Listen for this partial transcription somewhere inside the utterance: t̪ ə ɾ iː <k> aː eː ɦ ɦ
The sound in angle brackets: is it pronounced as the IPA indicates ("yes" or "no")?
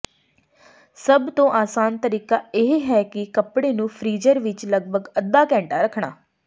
yes